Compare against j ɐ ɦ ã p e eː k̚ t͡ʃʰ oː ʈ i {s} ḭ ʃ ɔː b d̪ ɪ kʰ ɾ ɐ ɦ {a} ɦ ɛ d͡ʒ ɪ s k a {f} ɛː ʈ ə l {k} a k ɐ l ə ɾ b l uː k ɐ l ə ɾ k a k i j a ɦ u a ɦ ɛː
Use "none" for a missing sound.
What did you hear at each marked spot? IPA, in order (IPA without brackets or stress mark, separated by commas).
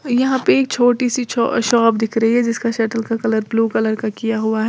s, i, ʃ, k